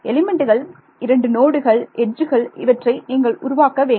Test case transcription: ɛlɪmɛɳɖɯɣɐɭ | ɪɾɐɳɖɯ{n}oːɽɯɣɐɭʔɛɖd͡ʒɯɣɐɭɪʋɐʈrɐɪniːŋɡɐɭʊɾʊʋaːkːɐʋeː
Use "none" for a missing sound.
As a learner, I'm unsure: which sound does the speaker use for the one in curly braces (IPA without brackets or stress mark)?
n